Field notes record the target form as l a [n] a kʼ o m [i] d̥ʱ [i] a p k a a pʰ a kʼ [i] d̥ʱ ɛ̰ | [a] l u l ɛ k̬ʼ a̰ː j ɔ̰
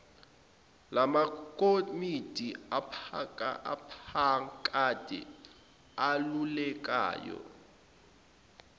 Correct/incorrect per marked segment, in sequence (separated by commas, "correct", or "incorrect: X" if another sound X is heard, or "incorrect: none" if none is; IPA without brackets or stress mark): incorrect: m, correct, correct, incorrect: a, correct